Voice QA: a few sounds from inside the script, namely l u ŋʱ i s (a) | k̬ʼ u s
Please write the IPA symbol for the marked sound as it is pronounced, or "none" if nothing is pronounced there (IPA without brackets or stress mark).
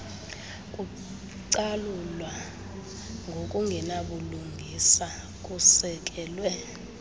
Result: a